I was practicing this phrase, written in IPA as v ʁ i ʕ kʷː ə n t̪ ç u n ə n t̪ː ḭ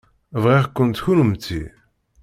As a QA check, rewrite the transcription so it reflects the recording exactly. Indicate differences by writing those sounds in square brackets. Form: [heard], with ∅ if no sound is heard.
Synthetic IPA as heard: v ʁ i [ʁ] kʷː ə n t̪ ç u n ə [m] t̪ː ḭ